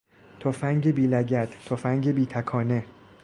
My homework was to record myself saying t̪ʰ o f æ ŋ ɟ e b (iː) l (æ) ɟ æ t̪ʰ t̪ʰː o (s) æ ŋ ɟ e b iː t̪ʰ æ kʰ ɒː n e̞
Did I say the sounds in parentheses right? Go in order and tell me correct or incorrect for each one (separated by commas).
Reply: correct, correct, incorrect